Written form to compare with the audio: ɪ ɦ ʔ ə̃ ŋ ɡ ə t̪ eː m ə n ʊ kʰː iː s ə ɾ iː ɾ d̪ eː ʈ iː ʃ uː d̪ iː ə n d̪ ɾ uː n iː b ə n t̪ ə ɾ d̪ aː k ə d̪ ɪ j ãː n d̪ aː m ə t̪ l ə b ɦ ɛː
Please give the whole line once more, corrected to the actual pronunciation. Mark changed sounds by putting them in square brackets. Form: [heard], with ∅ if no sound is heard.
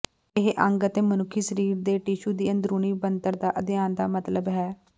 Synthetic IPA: ɪ ɦ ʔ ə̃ ŋ ɡ ə t̪ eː m ə n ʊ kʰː iː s ə ɾ iː ɾ d̪ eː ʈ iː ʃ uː d̪ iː ə n d̪ ɾ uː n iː b ə n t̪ ə ɾ d̪ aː [ʔ] ə d̪ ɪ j [aː] n d̪ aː m ə t̪ l ə b ɦ ɛː